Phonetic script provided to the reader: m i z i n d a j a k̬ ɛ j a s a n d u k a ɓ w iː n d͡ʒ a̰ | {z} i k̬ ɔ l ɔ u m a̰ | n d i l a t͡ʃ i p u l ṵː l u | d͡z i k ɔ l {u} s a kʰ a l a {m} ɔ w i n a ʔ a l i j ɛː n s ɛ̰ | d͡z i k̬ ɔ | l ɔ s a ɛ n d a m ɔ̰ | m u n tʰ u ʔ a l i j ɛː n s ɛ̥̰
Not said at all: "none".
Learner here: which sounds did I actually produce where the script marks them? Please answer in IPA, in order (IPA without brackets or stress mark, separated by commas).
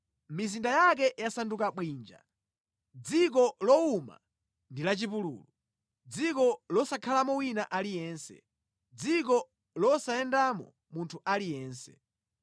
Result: d͡z, ɔ, m